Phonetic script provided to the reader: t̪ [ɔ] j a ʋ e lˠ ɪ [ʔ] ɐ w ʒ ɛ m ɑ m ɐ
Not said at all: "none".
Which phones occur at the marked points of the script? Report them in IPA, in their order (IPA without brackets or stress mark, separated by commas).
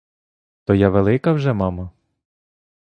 ɔ, k